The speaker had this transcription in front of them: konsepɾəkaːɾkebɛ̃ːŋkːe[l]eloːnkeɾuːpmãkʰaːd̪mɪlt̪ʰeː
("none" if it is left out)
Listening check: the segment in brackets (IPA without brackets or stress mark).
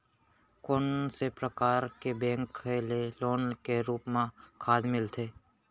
l